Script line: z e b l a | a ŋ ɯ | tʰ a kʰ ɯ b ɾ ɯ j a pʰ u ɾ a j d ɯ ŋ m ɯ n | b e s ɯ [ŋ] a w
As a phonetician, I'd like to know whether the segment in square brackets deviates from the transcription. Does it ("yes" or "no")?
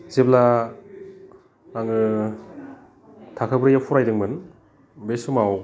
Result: yes